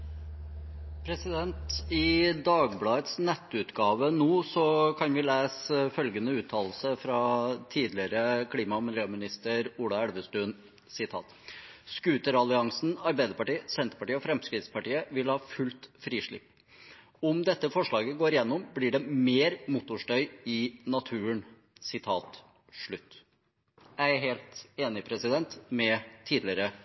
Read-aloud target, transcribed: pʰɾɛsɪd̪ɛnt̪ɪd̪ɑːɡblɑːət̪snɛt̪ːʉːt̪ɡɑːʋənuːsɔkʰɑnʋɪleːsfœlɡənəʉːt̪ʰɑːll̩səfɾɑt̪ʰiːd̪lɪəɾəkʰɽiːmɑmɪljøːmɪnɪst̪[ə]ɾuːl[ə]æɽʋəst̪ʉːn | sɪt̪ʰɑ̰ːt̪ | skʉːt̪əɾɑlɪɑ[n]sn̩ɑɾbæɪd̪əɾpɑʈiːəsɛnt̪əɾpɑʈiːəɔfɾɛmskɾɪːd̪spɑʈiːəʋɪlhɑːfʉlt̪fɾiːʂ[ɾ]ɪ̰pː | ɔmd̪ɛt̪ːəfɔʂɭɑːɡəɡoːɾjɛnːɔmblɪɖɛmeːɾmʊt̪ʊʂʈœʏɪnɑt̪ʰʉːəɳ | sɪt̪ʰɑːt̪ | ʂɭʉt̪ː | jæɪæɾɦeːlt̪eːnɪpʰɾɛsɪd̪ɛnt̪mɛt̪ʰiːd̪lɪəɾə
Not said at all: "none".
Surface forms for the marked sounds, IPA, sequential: ə, ɑ, ŋ, ɭ

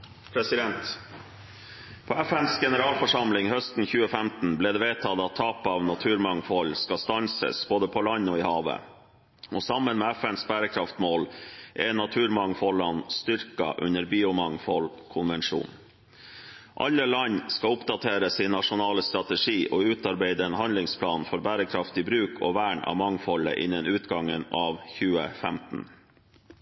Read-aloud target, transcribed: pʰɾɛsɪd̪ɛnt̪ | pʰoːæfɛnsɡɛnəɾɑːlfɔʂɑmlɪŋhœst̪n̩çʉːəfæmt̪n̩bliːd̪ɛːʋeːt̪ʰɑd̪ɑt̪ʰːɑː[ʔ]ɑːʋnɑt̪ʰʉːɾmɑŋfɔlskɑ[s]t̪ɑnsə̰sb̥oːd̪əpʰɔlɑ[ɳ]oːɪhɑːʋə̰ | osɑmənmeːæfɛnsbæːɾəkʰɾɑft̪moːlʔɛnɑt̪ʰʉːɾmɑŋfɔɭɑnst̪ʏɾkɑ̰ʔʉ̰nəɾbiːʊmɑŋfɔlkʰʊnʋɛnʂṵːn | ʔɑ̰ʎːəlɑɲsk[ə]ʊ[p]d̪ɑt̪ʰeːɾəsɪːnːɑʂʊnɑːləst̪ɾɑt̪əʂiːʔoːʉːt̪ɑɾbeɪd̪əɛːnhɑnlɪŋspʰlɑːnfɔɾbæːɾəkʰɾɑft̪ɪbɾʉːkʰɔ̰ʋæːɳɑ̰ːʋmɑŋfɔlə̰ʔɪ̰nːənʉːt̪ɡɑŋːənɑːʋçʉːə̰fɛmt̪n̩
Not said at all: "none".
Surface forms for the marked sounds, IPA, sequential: p, s, ɲ, ɑ, p

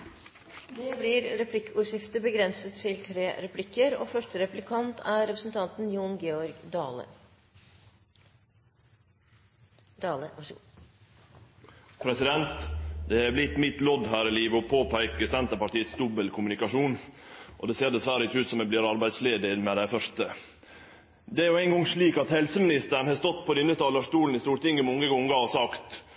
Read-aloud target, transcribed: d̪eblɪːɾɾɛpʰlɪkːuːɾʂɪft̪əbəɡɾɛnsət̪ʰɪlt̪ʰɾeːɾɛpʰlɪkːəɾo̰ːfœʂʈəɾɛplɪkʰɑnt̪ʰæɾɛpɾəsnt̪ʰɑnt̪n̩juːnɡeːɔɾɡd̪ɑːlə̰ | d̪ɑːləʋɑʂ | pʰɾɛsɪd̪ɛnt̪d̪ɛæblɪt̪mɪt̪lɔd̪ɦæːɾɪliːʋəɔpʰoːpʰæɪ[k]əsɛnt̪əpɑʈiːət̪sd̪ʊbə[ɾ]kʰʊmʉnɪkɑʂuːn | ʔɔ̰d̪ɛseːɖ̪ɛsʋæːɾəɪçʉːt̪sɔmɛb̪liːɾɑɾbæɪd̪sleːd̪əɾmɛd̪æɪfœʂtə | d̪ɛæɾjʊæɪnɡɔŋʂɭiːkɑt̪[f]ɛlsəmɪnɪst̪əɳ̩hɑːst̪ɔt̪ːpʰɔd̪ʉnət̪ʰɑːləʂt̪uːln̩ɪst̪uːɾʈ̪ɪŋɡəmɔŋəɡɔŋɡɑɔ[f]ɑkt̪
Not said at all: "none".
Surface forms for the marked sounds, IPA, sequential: k, l, h, s

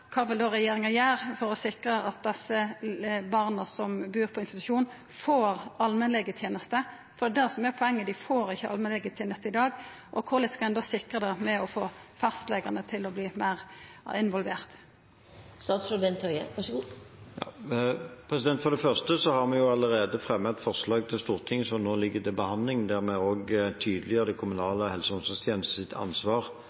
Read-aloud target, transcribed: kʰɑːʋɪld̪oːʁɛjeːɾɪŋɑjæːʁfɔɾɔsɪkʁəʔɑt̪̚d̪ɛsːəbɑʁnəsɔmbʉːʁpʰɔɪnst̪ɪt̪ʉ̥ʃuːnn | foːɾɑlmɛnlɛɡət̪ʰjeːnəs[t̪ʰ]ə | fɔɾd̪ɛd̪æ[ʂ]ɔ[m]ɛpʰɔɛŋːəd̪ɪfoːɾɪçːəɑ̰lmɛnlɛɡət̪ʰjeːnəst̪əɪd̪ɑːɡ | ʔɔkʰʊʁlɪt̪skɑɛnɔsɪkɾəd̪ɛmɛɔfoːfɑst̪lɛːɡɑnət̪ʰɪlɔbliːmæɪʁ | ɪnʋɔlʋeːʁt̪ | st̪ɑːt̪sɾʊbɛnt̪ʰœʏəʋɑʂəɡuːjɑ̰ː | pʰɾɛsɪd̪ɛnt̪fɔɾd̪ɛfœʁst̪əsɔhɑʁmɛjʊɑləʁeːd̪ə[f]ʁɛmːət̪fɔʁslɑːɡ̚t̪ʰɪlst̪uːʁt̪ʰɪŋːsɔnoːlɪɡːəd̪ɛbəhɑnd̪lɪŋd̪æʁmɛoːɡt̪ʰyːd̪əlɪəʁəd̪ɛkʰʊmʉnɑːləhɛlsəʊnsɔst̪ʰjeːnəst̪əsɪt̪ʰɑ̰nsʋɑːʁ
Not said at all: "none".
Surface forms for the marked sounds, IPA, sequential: t̪, s, m, f

